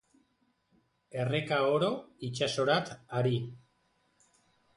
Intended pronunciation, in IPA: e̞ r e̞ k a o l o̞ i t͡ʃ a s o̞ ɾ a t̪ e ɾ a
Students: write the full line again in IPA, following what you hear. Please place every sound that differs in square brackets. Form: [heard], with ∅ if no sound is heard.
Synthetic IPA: e̞ r e̞ k a o [ɾ] o̞ i t͡ʃ a s o̞ ɾ a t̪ [a] ɾ [i]